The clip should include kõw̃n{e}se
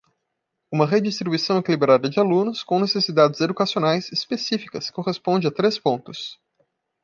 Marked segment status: correct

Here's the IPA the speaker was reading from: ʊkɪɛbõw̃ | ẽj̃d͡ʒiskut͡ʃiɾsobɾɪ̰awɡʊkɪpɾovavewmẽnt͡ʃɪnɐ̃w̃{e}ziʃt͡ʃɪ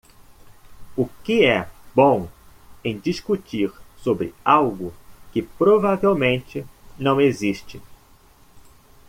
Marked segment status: correct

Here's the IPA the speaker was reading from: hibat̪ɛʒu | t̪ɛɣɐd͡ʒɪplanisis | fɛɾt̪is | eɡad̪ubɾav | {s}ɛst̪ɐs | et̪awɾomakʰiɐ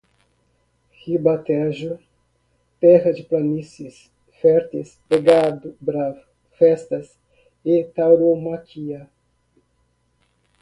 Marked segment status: incorrect: f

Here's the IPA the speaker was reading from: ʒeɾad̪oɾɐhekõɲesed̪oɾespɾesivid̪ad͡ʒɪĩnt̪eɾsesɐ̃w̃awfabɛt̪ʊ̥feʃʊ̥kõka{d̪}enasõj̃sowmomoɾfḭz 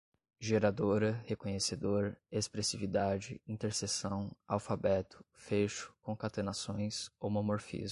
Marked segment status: incorrect: t̪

